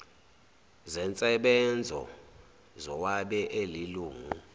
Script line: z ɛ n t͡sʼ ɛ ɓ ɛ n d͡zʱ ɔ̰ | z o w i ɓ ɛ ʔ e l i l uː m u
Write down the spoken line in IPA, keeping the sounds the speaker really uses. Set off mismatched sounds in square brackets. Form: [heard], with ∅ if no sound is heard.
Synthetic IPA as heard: z ɛ n t͡sʼ ɛ ɓ ɛ n d͡zʱ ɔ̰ | z [ɔ] w [a] ɓ ɛ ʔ e l i l uː [ŋ] u